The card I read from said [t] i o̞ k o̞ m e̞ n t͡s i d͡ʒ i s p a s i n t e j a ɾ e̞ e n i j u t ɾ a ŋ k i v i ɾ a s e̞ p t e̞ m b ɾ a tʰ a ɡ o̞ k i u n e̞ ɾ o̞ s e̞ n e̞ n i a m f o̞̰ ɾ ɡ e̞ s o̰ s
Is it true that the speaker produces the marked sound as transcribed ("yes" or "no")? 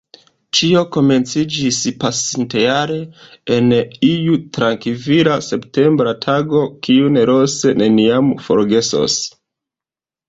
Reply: no